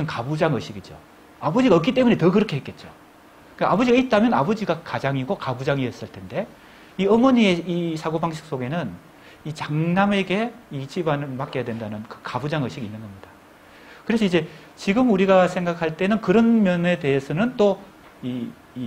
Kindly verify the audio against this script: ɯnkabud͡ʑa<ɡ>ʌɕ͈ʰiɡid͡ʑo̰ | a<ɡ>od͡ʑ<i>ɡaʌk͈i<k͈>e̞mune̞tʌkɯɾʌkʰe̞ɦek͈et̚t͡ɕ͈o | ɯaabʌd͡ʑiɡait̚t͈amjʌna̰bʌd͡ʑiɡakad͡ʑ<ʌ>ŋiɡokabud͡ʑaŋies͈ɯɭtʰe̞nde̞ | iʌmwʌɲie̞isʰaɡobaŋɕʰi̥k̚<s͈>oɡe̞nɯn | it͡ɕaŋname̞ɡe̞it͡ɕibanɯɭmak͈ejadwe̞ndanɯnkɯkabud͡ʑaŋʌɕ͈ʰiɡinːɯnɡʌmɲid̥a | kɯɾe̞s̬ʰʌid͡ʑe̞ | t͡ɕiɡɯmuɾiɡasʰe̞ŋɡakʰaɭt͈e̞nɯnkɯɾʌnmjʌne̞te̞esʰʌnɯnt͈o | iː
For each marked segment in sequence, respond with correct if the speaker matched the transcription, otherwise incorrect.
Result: incorrect: ŋ, incorrect: b, correct, incorrect: t͈, incorrect: a, correct

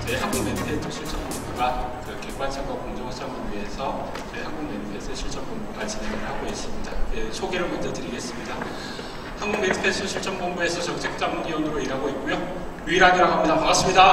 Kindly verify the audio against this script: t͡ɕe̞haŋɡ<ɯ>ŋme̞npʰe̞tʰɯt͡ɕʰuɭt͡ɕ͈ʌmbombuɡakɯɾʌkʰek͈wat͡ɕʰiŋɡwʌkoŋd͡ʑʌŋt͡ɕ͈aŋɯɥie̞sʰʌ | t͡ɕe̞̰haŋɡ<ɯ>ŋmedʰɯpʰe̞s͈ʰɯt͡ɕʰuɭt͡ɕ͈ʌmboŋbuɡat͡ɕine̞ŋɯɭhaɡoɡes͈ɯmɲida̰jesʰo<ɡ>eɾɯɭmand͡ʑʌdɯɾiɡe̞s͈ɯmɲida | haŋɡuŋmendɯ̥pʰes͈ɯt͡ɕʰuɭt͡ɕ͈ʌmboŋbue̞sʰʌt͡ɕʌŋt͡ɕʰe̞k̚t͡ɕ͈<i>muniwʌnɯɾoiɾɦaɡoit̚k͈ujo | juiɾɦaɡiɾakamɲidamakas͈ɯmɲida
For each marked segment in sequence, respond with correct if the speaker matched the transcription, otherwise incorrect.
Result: incorrect: u, incorrect: u, correct, incorrect: a

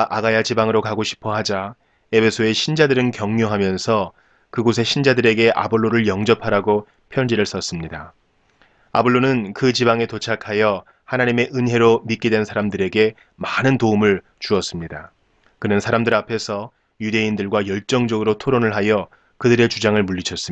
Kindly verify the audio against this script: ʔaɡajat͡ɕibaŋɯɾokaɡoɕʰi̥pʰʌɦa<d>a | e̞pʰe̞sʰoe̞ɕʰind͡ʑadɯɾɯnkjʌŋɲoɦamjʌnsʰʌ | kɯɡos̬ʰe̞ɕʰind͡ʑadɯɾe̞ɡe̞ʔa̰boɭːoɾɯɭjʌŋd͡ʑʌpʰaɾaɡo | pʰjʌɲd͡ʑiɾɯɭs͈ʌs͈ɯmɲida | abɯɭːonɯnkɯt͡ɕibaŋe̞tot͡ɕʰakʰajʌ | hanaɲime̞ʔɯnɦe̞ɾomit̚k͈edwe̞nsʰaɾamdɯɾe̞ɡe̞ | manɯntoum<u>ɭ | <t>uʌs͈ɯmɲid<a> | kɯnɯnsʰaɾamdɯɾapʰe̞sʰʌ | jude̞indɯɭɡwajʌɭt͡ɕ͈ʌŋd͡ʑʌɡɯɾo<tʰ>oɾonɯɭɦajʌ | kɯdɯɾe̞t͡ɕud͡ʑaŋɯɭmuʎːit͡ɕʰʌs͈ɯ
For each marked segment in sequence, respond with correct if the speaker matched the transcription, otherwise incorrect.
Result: incorrect: d͡ʑ, incorrect: ɯ, incorrect: t͡ɕ, correct, correct

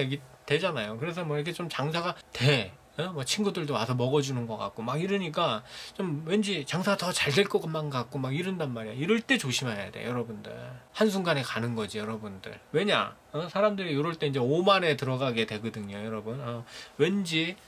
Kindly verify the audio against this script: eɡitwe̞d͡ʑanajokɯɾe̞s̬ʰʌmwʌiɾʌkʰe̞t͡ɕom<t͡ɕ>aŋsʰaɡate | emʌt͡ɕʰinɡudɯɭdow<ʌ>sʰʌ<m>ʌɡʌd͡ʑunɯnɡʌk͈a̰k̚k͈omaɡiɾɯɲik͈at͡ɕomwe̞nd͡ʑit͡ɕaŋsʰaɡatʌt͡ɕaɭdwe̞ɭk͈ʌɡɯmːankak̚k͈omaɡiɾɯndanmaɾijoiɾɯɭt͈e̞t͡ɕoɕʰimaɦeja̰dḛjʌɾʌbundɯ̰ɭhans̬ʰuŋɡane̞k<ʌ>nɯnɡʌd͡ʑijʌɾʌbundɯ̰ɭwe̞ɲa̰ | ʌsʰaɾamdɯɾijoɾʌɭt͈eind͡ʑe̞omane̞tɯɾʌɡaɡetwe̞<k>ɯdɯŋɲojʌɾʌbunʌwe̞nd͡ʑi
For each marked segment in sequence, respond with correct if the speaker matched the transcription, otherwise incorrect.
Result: correct, incorrect: a, correct, incorrect: a, incorrect: ɡ

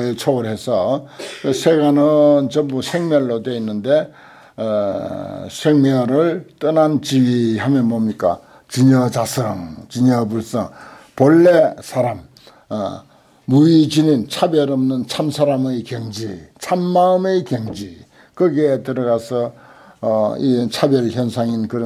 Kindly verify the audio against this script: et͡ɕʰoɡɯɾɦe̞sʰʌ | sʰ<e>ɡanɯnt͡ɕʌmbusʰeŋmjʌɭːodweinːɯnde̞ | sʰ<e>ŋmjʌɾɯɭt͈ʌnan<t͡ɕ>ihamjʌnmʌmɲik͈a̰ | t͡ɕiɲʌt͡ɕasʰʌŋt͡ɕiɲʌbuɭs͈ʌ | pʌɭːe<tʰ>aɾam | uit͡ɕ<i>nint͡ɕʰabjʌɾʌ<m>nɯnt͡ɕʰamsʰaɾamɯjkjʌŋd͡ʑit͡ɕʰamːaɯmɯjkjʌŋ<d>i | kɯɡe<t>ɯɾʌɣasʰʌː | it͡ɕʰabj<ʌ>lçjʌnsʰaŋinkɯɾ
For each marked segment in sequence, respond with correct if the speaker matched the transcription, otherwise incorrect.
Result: correct, correct, correct, incorrect: sʰ, correct, correct, incorrect: d͡ʑ, correct, correct

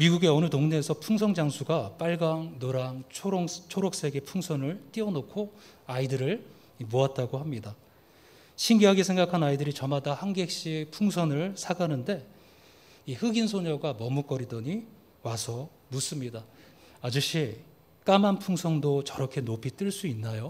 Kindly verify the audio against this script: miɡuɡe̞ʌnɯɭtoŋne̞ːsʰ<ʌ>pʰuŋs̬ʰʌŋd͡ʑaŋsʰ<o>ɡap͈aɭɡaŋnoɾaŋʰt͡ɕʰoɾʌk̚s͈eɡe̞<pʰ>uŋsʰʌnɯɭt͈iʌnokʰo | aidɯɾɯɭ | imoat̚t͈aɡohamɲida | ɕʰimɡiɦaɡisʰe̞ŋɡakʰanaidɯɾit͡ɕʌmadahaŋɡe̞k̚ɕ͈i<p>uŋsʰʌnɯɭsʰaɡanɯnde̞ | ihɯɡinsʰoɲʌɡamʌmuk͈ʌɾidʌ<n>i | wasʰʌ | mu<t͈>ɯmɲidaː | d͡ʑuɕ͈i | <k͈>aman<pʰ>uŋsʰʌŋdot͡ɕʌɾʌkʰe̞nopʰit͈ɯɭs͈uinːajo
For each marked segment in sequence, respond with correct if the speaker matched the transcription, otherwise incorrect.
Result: correct, incorrect: u, correct, incorrect: pʰ, incorrect: ɲ, incorrect: s͈, correct, correct

